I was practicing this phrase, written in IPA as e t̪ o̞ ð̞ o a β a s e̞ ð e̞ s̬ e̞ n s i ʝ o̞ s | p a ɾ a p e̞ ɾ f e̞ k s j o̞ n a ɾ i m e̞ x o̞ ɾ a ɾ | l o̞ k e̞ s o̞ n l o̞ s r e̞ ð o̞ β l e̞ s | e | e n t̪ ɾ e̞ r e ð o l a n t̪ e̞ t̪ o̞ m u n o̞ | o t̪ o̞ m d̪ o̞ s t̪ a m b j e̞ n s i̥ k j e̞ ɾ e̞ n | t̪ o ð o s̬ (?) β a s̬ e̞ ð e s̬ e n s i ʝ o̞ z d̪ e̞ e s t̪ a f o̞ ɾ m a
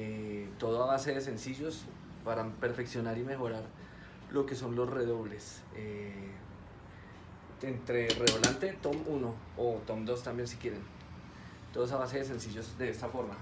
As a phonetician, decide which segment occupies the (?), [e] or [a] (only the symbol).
a